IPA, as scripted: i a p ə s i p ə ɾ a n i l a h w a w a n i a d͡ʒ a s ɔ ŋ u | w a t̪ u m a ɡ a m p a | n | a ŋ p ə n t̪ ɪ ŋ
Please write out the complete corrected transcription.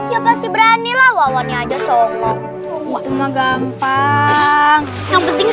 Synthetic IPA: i a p a s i b ə ɾ a n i l a h w a w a n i a d͡ʒ a s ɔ ŋ ɔ | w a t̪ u m a ɡ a m p a | ŋ | a ŋ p ə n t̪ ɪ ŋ